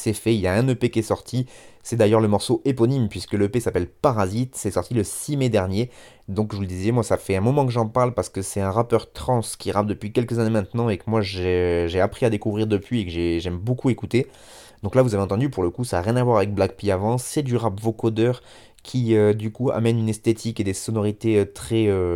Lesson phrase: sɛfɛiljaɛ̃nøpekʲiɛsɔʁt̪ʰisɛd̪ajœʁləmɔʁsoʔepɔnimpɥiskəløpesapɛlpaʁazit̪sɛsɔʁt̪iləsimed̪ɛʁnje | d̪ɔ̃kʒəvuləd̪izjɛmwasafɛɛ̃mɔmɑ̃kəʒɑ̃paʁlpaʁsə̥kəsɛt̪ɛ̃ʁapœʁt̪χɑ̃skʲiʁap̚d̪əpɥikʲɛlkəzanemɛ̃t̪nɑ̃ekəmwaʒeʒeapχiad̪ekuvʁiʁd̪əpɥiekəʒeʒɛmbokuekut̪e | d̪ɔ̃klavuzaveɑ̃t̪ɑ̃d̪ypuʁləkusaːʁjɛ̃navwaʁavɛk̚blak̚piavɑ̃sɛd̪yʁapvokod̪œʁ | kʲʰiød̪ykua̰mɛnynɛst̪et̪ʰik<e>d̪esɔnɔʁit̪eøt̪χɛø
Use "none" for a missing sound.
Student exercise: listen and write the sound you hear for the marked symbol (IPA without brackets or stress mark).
e